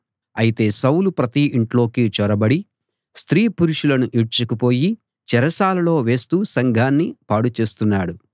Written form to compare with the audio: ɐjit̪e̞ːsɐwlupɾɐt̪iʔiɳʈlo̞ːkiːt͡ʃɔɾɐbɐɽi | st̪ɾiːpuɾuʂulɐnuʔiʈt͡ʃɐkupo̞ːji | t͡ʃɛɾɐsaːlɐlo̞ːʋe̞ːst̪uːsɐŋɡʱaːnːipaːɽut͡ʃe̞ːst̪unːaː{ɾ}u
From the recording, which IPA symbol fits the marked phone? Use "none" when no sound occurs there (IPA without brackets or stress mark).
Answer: ɽ